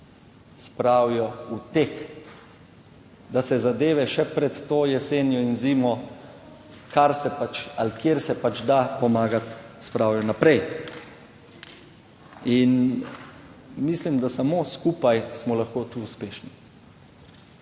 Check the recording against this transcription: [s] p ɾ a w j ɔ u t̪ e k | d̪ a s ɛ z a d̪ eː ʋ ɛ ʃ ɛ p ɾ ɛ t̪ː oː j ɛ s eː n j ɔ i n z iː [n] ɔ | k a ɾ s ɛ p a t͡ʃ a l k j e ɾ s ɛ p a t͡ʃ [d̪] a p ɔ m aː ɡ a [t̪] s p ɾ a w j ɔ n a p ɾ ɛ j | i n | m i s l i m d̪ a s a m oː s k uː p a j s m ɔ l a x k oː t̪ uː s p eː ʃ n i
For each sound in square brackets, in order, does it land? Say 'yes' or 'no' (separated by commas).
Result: yes, no, yes, yes